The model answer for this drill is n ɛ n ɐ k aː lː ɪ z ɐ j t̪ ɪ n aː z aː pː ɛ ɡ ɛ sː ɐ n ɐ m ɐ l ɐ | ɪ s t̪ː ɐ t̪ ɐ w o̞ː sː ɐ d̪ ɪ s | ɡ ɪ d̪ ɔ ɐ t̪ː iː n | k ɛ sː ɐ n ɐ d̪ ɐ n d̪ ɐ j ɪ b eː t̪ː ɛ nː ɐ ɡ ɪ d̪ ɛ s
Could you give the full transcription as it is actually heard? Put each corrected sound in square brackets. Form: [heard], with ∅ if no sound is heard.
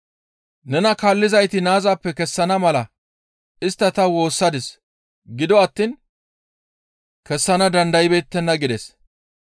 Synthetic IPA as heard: n ɛ n ɐ k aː lː ɪ z ɐ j t̪ ɪ n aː z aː pː ɛ [k] ɛ sː ɐ n ɐ m ɐ l ɐ | ɪ s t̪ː ɐ t̪ ɐ w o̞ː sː ɐ d̪ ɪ s | ɡ ɪ d̪ ɔ ɐ t̪ː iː n | k ɛ sː ɐ n ɐ d̪ ɐ n d̪ ɐ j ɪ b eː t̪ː ɛ nː ɐ ɡ ɪ d̪ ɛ s